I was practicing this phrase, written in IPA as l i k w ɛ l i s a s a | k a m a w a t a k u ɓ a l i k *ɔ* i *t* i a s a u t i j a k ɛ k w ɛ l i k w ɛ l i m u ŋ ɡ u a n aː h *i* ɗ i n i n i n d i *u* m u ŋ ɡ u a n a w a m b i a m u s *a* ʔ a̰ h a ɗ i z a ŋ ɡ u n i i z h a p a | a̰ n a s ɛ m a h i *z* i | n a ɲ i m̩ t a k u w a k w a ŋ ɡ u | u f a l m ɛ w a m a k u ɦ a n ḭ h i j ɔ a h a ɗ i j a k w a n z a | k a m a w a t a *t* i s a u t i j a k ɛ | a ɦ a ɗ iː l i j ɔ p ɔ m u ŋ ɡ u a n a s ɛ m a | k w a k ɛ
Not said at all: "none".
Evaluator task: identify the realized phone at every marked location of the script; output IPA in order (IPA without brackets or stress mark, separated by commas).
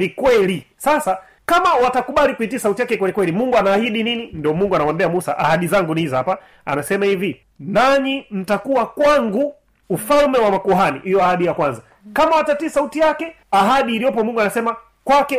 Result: u, t, i, ɔ, a, v, t